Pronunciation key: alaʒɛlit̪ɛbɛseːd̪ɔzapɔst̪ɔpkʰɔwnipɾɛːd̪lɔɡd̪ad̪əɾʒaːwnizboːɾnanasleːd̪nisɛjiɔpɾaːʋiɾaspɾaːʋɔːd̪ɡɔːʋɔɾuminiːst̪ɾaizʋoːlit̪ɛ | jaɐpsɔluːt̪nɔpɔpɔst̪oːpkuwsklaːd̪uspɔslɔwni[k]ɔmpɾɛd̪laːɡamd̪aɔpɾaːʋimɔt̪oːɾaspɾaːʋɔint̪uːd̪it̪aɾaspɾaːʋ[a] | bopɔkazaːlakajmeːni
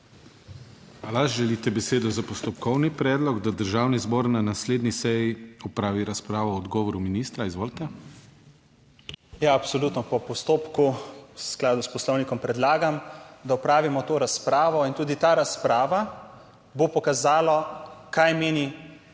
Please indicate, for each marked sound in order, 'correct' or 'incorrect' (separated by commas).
correct, correct